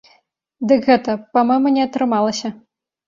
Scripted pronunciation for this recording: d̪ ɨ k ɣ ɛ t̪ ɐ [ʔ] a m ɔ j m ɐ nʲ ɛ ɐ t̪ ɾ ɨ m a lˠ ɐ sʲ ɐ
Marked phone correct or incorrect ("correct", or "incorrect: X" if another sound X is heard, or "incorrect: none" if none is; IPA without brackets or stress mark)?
incorrect: p